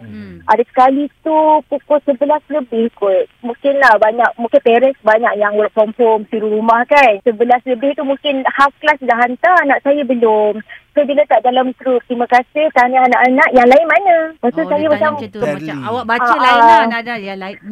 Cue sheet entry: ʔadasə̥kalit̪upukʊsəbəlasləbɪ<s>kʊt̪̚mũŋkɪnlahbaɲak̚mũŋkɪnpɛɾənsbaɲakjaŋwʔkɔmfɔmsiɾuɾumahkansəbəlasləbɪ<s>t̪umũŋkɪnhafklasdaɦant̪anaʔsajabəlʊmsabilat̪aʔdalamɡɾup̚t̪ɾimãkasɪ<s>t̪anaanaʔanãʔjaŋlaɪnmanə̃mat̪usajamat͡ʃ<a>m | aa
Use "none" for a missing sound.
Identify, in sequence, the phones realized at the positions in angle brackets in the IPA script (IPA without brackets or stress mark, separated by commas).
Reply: h, h, h, a